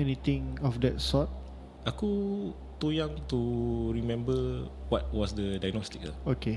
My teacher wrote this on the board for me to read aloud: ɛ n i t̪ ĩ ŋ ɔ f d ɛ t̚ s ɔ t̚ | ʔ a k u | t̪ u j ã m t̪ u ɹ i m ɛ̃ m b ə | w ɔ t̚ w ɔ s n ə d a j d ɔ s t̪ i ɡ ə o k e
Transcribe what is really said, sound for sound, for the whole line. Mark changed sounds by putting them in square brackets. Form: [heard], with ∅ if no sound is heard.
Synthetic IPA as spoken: ɛ n i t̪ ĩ ŋ ɔ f d ɛ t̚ s ɔ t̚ | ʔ a k u | t̪ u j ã [ŋ] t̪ u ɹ i m ɛ̃ m b ə | w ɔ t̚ w ɔ s [d] ə d a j [n] ɔ s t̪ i [k] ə o k e